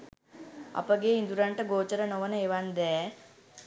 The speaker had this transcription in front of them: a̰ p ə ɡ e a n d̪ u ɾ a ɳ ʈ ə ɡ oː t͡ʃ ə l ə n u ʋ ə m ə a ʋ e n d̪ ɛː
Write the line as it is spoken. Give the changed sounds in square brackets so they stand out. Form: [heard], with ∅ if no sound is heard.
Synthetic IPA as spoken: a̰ p ə ɡ e [i] n d̪ u ɾ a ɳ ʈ ə ɡ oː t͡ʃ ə [ɾ] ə n [o] ʋ ə [n] ə [e] ʋ [a] n d̪ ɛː

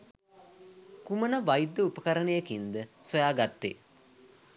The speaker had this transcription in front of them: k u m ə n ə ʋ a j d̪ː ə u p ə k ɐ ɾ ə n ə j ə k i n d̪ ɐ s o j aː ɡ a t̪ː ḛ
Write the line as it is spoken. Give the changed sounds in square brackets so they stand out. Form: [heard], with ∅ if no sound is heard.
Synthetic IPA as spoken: k u m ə n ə ʋ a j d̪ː ə u p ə k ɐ ɾ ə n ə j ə k i n d̪ [ə] s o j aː ɡ a t̪ː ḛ

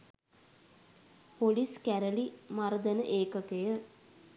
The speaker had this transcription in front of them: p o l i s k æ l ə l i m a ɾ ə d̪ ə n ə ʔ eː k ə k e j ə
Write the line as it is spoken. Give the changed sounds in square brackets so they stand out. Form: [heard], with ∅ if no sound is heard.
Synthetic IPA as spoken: p o l i s k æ [ɾ] ə l i m a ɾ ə d̪ ə n ə ʔ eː k ə k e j ə

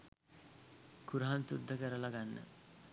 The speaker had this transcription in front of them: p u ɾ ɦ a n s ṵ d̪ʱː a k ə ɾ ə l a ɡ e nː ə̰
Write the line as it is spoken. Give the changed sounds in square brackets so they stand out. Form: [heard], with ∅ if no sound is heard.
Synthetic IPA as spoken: [k] u ɾ ɦ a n s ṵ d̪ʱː [ə] k ə ɾ ə l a ɡ [a] nː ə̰

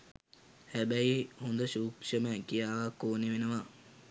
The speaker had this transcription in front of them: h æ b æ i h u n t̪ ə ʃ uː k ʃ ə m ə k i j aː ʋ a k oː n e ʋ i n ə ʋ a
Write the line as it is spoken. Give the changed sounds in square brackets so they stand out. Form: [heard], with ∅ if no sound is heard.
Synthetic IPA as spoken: h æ b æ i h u n [d̪] ə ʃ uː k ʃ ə m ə k i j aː ʋ a k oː n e ʋ [e] n ə ʋ a

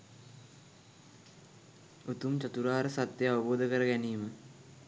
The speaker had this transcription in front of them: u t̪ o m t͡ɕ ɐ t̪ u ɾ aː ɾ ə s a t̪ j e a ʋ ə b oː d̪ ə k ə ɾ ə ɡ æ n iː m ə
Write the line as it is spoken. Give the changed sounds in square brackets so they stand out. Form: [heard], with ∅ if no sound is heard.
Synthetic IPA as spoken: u t̪ [u] m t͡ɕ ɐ t̪ u ɾ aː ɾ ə s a t̪ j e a ʋ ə b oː d̪ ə k ə ɾ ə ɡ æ n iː m ə

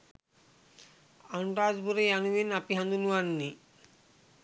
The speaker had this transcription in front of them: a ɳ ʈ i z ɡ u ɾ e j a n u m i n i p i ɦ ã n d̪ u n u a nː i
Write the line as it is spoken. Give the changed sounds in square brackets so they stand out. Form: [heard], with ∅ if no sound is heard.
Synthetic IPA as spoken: a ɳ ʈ [a] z [b] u ɾ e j a n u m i n [a] p i ɦ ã n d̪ u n u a nː i

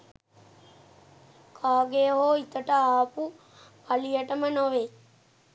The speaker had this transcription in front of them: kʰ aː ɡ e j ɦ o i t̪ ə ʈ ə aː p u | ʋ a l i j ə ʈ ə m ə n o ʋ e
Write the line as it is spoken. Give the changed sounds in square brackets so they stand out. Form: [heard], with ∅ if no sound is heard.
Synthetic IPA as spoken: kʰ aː ɡ e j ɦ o i t̪ ə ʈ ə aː p u | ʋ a l i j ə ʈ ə m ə n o ʋ e

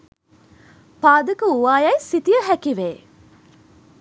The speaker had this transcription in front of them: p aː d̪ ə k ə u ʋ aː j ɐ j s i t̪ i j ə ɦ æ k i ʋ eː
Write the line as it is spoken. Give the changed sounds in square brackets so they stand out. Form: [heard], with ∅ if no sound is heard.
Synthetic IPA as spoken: p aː d̪ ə k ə u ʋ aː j ɐ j s i t̪ i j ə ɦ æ k i ʋ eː

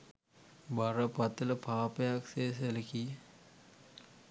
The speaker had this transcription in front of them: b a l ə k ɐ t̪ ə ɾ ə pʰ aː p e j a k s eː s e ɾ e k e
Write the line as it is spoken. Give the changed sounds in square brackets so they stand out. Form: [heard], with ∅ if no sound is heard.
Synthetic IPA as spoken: b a [ɾ] ə [p] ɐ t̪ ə [l] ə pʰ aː p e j a k s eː s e [l] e k [i]

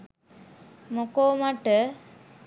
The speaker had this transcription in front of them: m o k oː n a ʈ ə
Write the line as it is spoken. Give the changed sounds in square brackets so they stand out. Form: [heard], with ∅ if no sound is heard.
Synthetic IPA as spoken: m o k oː [m] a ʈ ə

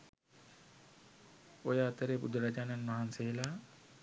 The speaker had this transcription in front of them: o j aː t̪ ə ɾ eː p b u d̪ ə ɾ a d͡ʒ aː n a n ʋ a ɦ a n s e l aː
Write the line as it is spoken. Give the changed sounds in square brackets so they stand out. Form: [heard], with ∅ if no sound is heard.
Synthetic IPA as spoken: o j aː t̪ ə ɾ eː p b u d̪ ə ɾ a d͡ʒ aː n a n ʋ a ɦ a n s e l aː

